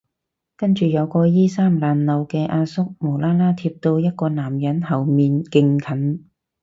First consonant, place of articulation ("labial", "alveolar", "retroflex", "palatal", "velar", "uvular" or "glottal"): velar